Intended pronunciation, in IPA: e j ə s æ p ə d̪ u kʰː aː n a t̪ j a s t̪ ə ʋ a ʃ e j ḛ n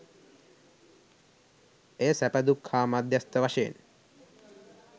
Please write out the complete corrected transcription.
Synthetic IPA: e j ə s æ p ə d̪ u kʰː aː m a d̪ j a s t̪ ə ʋ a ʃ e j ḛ n